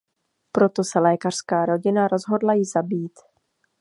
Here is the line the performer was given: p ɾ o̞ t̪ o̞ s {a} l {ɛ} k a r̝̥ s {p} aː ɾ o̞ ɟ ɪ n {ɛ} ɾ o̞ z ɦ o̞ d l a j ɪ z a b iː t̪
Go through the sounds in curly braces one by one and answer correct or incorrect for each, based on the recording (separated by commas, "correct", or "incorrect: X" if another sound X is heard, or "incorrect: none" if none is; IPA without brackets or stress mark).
incorrect: ɛ, incorrect: ɛː, incorrect: k, incorrect: a